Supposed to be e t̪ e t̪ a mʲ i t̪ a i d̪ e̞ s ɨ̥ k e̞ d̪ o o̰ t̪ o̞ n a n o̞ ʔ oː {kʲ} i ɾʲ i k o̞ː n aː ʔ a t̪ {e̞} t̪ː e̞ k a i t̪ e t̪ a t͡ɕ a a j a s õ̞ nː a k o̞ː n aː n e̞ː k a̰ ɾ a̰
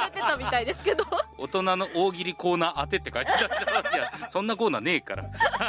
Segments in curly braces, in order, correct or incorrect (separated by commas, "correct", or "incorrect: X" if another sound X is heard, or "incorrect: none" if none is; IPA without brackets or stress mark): incorrect: ɡʲ, correct